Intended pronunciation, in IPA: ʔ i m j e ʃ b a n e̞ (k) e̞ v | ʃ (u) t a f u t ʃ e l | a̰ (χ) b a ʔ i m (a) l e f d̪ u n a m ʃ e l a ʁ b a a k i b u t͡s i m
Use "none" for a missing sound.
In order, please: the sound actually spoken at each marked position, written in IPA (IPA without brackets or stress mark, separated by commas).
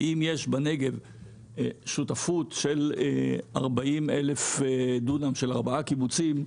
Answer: ɡ, u, ʁ, e